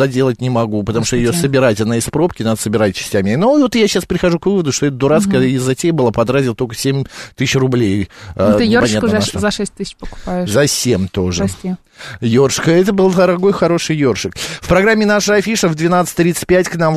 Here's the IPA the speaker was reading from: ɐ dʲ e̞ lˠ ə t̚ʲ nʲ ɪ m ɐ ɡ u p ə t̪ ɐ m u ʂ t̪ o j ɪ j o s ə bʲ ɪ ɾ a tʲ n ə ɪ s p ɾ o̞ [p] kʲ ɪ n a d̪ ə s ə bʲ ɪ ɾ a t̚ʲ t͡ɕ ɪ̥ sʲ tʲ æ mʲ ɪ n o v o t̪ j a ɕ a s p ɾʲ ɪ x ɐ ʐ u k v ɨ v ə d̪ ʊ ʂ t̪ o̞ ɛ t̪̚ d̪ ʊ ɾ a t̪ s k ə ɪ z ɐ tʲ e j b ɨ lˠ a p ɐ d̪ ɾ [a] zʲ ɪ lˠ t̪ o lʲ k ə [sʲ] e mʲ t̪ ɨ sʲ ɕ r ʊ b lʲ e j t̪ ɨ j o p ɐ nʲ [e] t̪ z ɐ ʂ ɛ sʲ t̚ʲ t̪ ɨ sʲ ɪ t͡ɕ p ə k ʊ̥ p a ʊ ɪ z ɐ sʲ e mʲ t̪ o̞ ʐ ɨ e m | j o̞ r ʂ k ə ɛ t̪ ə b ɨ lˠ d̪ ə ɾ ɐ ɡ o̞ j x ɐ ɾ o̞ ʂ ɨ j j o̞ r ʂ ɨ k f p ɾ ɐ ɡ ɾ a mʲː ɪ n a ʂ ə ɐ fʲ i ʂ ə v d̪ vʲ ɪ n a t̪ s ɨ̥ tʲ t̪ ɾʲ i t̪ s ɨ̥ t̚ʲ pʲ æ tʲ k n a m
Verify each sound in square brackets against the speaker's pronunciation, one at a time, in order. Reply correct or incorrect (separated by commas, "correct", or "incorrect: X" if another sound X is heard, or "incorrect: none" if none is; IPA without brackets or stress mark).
correct, correct, correct, incorrect: a